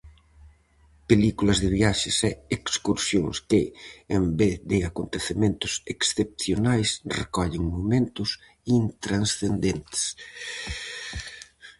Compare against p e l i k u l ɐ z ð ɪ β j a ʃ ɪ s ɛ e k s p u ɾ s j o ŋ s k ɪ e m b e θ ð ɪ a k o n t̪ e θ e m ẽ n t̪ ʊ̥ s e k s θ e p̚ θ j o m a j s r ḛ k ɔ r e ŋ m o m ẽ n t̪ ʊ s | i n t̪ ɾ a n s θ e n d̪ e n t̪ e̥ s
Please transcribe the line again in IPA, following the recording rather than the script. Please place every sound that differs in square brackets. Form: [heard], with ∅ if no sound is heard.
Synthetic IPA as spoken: p e l i k u l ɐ z ð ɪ β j a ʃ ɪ s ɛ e k s [k] u ɾ s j o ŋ s k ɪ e m b e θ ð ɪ a k o n t̪ e θ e m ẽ n t̪ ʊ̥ s e k s θ e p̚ θ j o [n] a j s r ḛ k ɔ [ʎ] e ŋ m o m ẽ n t̪ ʊ s | i n t̪ ɾ a n s θ e n d̪ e n t̪ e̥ s